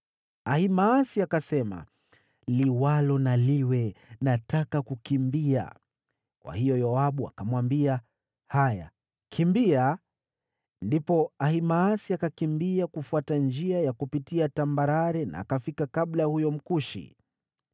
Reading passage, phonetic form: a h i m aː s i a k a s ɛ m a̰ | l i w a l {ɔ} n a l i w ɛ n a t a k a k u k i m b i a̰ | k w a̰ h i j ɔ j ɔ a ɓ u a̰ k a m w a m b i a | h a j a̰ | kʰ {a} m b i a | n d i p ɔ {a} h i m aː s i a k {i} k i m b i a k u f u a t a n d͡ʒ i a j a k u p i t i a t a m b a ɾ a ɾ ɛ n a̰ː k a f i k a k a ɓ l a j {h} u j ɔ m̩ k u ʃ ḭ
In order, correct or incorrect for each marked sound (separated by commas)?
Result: correct, incorrect, correct, incorrect, correct